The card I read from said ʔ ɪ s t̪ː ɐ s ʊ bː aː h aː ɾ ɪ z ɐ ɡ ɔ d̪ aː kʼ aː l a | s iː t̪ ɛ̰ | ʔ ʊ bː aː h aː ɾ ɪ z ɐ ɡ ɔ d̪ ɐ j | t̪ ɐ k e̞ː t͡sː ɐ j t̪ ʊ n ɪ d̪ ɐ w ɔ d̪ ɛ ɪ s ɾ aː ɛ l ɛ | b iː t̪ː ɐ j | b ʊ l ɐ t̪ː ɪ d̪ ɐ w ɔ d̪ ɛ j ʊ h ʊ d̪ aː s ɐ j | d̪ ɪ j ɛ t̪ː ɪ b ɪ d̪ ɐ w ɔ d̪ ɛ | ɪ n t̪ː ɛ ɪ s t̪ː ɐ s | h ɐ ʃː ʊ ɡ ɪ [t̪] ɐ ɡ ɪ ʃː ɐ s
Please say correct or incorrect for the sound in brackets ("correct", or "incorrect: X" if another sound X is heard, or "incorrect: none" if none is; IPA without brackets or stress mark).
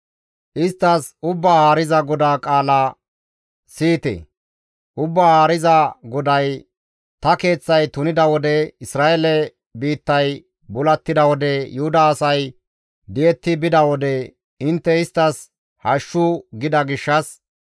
incorrect: d̪